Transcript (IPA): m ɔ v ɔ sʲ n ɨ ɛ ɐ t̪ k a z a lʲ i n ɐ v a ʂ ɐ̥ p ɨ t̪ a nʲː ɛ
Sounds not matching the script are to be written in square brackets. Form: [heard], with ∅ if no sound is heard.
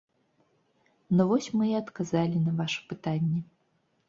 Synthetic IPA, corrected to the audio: [n] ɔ v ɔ sʲ [m] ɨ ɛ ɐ t̪ k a z a lʲ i n ɐ v a ʂ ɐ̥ p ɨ t̪ a nʲː ɛ